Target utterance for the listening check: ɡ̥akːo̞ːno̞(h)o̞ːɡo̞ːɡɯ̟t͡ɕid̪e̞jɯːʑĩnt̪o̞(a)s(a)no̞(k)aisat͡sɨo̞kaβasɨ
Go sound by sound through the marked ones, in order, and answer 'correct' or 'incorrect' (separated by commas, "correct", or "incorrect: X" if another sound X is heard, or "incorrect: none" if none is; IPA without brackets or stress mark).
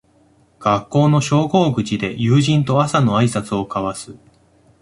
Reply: incorrect: ɕ, correct, correct, incorrect: none